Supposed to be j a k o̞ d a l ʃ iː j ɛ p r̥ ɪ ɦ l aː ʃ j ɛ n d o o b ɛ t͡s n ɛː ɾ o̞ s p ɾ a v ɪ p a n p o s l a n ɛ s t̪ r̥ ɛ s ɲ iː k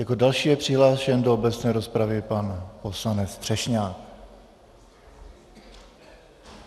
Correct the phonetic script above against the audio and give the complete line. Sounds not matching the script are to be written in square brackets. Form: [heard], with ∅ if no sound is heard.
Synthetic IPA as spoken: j a k o̞ d a l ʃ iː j ɛ p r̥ ɪ ɦ l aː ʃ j ɛ n d o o b ɛ t͡s n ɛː ɾ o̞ s p ɾ a v ɪ p a n p o s l a n ɛ [t͡s] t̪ r̥ ɛ [ʃ] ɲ [aː] k